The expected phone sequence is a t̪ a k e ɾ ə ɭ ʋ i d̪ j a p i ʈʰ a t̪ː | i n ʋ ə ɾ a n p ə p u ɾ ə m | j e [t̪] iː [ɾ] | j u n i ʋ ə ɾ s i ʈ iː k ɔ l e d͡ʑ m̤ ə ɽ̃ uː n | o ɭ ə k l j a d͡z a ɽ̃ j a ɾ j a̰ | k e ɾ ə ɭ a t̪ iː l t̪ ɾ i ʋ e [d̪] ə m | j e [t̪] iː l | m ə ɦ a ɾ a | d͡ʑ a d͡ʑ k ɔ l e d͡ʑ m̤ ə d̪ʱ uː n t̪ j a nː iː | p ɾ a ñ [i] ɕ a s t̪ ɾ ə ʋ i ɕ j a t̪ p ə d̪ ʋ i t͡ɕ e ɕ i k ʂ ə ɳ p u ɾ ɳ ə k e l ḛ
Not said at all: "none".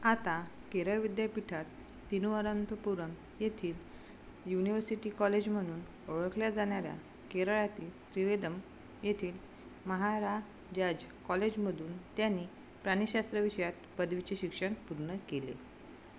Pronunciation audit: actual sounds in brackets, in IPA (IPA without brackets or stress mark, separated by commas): t̪ʰ, l, d̪, t̪ʰ, i